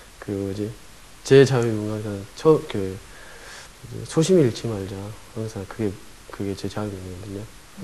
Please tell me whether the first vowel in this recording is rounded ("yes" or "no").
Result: no